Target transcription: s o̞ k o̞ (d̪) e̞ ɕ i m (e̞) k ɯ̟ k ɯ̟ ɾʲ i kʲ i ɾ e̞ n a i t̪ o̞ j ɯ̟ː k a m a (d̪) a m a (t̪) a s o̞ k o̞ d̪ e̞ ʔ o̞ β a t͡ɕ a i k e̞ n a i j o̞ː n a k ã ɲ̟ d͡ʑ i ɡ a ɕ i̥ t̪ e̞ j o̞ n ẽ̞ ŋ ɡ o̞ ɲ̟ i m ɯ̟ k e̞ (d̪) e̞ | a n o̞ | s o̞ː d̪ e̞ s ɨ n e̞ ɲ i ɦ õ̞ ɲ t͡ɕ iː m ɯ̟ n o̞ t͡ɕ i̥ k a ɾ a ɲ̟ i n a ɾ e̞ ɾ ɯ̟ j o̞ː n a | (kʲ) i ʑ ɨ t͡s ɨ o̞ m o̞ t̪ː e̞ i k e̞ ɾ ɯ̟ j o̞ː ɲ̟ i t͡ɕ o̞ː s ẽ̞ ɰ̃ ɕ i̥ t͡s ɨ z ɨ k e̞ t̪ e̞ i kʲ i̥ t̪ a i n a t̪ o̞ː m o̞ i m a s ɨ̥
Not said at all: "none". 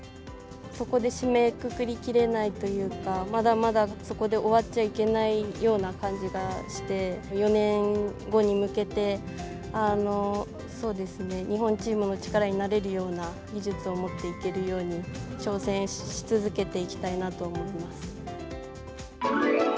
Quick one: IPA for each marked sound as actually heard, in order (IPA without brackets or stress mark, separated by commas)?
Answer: d̪, e̞, d̪, d̪, t̪, ɡʲ